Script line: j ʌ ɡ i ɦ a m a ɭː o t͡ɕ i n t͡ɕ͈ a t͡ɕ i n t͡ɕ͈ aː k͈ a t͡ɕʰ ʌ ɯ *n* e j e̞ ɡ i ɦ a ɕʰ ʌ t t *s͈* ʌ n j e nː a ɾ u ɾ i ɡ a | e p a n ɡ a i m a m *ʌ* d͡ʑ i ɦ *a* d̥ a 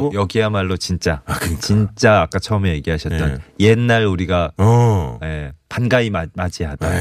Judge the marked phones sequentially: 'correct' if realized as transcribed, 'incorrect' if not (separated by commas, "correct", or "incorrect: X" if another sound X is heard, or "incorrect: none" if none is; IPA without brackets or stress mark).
incorrect: m, incorrect: t͈, incorrect: a, correct